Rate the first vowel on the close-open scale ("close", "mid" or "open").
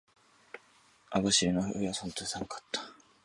open